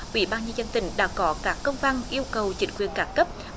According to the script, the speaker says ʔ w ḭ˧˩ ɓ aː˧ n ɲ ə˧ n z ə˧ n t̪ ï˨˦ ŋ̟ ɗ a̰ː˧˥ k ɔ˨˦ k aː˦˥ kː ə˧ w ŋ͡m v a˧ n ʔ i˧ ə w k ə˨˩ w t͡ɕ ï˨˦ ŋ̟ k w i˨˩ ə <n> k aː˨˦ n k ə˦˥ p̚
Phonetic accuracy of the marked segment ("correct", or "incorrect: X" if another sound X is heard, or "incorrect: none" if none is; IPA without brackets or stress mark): correct